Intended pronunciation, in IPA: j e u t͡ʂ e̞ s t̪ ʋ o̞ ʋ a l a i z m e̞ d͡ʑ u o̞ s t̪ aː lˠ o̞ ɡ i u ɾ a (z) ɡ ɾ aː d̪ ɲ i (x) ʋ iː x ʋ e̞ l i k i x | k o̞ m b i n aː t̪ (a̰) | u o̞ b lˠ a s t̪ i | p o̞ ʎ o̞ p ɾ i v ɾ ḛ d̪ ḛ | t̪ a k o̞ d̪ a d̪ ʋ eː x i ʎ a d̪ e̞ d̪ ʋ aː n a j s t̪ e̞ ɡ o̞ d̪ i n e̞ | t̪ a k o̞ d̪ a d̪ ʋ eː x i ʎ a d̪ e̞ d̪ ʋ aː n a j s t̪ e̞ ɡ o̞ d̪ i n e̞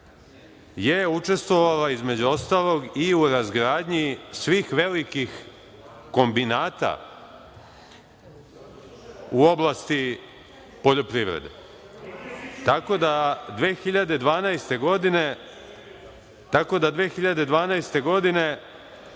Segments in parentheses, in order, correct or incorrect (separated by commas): correct, incorrect, correct